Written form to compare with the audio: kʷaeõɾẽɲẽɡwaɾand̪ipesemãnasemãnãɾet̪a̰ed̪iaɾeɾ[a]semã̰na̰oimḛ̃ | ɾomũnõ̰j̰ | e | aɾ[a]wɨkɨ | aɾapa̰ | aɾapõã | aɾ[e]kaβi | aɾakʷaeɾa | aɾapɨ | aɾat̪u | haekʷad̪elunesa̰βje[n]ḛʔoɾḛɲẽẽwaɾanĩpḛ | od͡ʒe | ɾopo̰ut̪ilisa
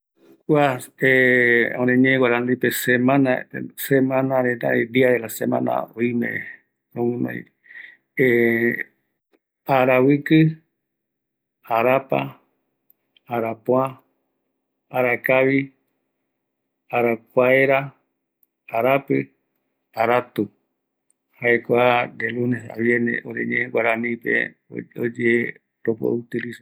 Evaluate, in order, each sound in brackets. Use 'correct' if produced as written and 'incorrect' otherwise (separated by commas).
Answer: correct, correct, incorrect, correct